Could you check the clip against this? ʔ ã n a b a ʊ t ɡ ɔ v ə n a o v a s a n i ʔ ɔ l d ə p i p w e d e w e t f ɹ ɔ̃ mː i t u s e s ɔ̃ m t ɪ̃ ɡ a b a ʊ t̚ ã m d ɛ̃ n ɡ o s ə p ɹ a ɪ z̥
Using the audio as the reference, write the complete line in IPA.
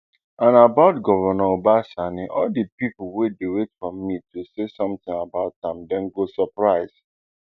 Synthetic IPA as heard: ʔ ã n a b a ʊ t ɡ ɔ v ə n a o b a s a n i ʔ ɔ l d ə p i p w e d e w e t f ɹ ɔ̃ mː i t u s e s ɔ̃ m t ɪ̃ ŋ a b a ʊ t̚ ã m d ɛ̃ n ɡ o s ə p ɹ a ɪ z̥